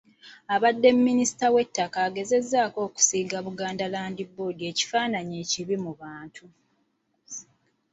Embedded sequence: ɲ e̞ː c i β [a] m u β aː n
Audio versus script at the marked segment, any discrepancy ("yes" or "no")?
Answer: yes